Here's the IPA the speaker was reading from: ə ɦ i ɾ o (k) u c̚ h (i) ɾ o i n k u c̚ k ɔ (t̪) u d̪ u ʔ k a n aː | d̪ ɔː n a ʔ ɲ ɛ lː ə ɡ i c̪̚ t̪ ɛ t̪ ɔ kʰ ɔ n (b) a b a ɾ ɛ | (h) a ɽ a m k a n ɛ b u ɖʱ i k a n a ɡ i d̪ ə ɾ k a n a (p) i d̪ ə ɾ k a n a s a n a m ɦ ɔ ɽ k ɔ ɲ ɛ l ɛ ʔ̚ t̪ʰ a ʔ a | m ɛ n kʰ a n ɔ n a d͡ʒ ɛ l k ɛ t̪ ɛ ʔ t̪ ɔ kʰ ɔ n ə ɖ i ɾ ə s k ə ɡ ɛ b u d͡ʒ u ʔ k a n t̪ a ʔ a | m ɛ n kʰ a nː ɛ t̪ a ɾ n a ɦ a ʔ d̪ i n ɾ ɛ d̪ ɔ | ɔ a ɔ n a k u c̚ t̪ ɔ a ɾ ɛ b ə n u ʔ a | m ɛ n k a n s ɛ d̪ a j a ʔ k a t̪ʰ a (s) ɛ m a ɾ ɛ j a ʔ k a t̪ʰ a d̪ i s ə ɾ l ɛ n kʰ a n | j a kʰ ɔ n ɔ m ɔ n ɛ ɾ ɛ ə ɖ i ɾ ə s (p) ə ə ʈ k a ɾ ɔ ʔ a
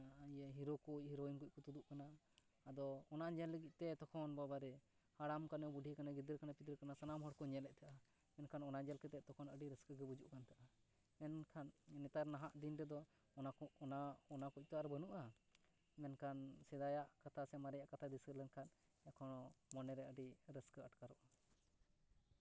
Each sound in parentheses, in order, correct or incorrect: correct, correct, correct, correct, correct, correct, correct, incorrect

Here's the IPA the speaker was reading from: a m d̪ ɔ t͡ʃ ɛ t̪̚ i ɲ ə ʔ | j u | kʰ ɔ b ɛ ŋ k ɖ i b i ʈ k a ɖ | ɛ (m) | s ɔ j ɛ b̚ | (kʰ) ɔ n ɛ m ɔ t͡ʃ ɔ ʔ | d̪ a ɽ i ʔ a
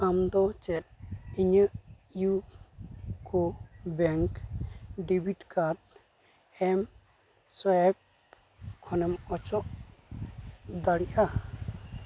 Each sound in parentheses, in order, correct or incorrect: correct, correct

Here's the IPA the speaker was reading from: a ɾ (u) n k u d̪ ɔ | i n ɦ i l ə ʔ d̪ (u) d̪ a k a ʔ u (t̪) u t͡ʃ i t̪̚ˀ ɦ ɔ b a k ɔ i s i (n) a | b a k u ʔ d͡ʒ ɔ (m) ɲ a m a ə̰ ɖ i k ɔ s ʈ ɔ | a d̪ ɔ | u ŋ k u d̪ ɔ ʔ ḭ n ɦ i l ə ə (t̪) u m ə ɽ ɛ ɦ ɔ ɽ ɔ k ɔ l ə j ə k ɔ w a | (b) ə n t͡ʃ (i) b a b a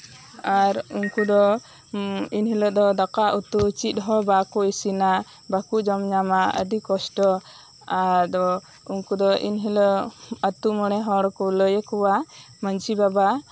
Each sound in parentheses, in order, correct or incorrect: correct, incorrect, correct, correct, correct, correct, incorrect, correct

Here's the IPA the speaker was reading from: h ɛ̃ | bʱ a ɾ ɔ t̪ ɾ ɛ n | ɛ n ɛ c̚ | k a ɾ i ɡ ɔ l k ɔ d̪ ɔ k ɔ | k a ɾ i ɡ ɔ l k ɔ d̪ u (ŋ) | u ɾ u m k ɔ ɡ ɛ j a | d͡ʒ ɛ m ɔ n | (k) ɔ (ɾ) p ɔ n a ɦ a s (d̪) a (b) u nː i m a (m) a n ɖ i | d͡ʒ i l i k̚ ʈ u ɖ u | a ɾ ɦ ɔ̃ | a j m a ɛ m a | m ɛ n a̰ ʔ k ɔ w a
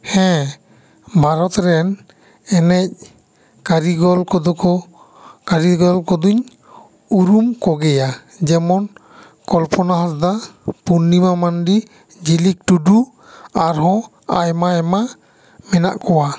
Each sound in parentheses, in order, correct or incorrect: incorrect, correct, incorrect, correct, incorrect, correct

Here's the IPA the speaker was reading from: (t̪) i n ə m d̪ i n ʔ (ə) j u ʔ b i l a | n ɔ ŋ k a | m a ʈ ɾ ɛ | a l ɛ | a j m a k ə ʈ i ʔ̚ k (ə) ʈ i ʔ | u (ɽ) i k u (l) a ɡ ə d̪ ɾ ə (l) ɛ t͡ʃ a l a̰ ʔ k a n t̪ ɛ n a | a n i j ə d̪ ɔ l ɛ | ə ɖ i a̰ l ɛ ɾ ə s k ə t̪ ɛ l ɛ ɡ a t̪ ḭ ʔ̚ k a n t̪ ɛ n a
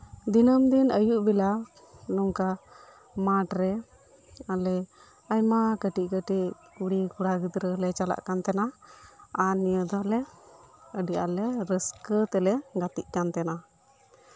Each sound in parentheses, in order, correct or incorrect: incorrect, correct, correct, correct, incorrect, correct

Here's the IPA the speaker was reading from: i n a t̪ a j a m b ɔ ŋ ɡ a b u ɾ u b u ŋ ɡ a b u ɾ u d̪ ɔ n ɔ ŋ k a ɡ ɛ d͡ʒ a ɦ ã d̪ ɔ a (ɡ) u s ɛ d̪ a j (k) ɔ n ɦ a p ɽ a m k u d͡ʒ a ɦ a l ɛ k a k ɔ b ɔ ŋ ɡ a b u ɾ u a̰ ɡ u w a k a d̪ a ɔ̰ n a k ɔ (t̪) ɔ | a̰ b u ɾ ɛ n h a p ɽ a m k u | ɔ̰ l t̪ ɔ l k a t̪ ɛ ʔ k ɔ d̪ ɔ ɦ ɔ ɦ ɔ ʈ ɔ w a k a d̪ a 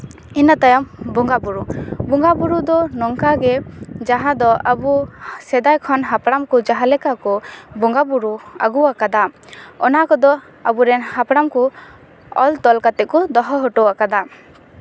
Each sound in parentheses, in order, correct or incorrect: incorrect, incorrect, incorrect

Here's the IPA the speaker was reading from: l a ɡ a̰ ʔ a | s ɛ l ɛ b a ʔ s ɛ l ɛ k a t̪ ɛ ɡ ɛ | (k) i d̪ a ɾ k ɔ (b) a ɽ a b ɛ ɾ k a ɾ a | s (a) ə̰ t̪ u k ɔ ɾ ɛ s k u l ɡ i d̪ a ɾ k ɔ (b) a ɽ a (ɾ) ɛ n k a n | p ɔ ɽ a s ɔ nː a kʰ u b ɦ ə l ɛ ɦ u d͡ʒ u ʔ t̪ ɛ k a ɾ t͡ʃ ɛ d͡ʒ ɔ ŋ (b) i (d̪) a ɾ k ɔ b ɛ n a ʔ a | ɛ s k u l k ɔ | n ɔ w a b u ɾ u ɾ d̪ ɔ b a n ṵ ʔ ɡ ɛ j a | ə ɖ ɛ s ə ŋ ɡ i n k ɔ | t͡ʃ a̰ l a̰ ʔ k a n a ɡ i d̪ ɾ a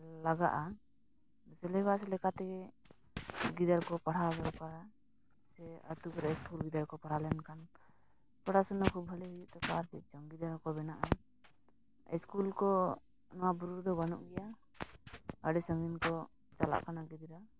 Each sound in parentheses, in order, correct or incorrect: incorrect, incorrect, incorrect, incorrect, incorrect, incorrect, correct

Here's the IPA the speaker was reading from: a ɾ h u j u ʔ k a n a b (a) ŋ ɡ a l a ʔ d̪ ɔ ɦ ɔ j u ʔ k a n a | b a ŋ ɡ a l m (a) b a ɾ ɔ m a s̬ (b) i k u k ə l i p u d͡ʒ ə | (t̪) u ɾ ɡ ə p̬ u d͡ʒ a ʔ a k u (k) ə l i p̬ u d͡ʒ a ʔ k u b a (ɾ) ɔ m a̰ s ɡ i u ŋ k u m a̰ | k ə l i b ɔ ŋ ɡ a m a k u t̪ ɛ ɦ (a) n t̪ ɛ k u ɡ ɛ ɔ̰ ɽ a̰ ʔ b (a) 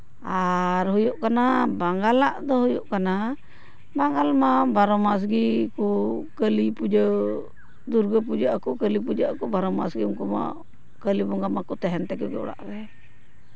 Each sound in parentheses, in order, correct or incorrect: correct, correct, incorrect, incorrect, correct, correct, incorrect, incorrect

